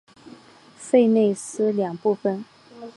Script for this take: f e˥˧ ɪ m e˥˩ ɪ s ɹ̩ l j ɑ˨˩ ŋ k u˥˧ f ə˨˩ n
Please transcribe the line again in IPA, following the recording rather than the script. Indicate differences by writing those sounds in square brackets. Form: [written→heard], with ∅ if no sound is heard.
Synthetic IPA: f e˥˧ ɪ [m→n] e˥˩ ɪ s ɹ̩ l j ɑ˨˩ ŋ [k→p] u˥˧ f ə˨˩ n